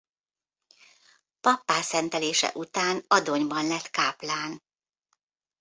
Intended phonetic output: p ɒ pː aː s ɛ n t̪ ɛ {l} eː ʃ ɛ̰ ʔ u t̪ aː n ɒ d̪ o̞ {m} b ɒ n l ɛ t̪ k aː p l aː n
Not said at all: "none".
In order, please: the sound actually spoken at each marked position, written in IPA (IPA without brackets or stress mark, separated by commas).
l, ɲ